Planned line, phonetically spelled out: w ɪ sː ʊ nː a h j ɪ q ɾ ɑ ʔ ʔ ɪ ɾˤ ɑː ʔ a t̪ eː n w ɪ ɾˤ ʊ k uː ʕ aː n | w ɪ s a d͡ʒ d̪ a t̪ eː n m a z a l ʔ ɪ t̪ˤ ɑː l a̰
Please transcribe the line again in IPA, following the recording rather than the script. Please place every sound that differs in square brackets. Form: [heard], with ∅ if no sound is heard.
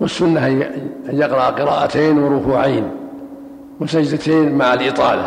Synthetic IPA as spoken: w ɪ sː ʊ nː a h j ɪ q ɾ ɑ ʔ [q] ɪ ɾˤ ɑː ʔ a t̪ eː n w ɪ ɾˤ ʊ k uː ʕ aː n | w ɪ s a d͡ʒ d̪ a t̪ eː n m a [ʕ] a l ʔ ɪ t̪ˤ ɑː l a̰